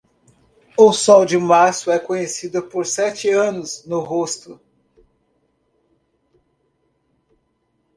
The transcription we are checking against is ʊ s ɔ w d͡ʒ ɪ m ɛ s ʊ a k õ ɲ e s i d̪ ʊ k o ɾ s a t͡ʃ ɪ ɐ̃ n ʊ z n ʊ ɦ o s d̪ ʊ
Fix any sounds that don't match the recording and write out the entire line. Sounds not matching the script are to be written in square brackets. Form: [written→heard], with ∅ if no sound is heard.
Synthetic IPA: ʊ s ɔ w d͡ʒ ɪ m [ɛ→a] s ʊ [a→ɛ] k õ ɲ e s i d̪ ʊ [k→p] o ɾ s [a→ɛ] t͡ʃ ɪ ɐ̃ n ʊ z n ʊ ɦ o s [d̪→t̪] ʊ